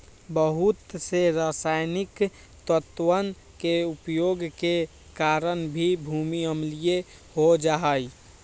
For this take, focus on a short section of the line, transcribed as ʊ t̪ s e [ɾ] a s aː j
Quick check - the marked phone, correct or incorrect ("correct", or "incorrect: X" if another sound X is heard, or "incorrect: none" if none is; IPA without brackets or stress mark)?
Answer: correct